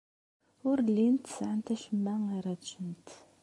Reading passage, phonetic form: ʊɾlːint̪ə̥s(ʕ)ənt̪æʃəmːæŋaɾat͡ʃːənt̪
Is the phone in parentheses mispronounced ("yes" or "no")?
no